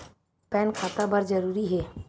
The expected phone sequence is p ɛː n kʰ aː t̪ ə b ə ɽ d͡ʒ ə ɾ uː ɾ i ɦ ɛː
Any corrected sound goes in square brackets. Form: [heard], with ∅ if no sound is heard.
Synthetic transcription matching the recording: p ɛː n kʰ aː t̪ [a] b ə [ɾ] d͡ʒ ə ɾ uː ɾ i ɦ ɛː